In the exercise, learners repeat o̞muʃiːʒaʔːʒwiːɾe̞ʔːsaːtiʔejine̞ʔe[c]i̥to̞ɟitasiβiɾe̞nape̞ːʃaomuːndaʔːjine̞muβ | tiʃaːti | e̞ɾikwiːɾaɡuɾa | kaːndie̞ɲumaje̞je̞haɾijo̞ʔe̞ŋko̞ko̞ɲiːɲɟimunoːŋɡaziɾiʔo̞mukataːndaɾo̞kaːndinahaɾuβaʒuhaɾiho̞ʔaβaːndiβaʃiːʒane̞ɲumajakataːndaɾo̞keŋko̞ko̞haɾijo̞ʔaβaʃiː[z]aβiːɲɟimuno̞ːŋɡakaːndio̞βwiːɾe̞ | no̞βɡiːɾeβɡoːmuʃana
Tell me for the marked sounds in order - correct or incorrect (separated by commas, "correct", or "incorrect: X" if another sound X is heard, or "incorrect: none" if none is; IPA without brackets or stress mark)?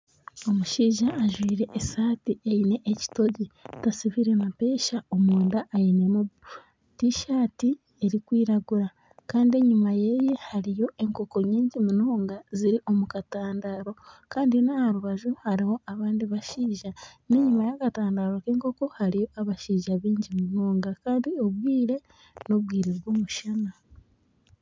correct, incorrect: ʒ